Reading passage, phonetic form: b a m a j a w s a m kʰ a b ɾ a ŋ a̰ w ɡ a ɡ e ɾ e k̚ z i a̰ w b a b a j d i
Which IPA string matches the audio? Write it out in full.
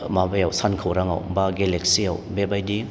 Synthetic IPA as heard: m a b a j a w s a n kʰ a w ɾ a ŋ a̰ w b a ɡ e l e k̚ s i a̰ w b e b a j d i